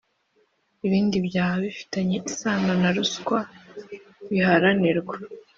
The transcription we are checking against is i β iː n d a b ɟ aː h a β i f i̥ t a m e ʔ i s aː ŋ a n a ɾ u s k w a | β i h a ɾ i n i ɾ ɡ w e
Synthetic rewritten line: i β iː n d i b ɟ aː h a β i f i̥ t a ɲ e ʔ i s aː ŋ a n a ɾ u s k w a | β i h a ɾ a n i ɾ ɡ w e